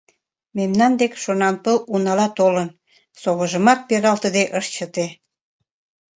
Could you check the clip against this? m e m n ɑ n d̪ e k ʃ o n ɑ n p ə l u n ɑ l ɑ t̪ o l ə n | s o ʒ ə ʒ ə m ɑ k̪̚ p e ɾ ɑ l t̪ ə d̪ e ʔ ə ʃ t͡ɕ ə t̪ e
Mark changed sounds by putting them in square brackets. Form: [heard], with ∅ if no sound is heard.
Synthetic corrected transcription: m e m n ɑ n d̪ e k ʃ o n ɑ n p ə l u n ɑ l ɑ t̪ o l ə n | s o [ɣ] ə ʒ ə m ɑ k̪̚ p e ɾ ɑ l t̪ ə d̪ e ʔ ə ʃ t͡ɕ ə t̪ e